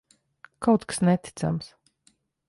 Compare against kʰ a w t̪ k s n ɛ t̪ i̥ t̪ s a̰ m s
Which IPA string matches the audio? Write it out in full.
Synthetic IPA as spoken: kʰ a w t̪ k s n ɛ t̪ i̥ t̪ s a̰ m s